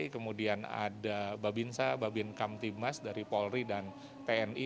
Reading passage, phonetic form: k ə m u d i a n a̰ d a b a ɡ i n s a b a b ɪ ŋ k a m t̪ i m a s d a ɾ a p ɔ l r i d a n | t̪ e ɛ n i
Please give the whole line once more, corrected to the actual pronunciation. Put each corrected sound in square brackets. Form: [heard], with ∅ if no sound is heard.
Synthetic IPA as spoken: k ə m u d i a n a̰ d a b a [b] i n s a b a b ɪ [n] k a m t̪ i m a s d a ɾ [i] p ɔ l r i d a n | t̪ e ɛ n i